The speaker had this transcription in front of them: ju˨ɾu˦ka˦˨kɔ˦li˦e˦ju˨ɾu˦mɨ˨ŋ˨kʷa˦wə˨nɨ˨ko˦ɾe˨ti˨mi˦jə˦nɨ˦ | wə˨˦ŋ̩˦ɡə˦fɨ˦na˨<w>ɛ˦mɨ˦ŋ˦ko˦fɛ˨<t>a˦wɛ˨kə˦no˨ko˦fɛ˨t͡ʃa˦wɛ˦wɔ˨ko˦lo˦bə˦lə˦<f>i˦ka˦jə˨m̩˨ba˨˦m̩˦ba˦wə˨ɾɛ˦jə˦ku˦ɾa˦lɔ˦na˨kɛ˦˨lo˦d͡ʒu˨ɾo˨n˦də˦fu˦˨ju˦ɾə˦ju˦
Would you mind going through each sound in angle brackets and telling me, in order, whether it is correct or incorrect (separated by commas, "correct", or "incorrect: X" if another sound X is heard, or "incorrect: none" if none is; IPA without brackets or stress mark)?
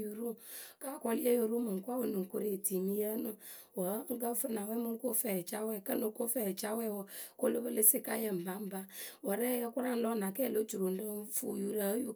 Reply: correct, incorrect: t͡ʃ, incorrect: s